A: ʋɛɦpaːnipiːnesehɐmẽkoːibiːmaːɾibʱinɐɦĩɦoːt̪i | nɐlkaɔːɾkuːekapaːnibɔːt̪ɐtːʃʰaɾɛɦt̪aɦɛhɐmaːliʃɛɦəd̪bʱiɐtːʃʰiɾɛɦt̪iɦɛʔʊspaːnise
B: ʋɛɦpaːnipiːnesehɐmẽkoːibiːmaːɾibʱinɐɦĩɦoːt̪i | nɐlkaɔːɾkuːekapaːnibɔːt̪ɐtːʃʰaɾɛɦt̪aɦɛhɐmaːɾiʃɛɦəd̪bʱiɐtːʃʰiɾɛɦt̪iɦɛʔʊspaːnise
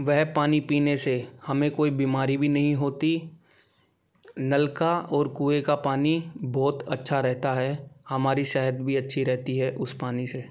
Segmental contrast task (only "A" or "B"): B